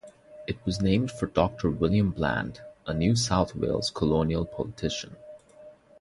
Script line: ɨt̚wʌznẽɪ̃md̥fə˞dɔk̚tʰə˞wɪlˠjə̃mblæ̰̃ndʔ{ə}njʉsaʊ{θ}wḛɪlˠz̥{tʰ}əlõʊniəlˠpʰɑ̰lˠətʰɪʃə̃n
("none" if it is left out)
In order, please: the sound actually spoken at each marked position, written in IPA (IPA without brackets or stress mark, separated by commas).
ə, θ, kʰ